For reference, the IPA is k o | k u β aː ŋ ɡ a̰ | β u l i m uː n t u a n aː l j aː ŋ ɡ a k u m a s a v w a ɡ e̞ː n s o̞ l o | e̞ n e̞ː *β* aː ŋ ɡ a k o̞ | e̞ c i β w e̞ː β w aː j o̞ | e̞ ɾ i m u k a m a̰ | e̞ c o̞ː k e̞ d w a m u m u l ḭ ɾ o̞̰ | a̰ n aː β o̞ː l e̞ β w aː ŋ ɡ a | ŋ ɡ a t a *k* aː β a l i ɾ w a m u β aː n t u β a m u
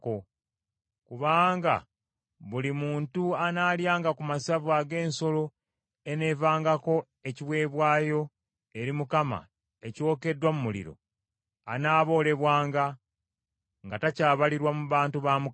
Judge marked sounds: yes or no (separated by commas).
no, no